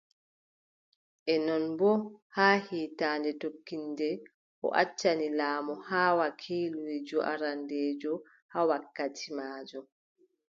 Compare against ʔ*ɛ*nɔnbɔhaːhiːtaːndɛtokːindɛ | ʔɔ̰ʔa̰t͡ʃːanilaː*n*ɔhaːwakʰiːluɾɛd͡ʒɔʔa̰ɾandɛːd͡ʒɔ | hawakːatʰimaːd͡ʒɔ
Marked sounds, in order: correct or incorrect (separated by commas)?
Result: correct, incorrect